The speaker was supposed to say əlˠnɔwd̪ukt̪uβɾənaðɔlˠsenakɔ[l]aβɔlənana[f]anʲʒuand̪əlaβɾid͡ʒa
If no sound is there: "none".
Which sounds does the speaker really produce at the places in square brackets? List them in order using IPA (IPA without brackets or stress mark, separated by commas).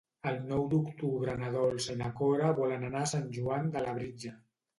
ɾ, s